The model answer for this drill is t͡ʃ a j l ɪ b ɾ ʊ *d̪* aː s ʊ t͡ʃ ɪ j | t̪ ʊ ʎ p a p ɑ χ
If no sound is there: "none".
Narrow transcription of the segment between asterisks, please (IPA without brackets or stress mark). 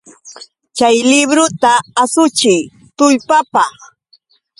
t̪